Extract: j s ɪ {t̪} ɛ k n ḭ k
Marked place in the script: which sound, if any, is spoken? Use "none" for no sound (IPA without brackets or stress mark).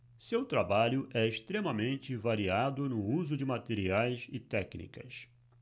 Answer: t̪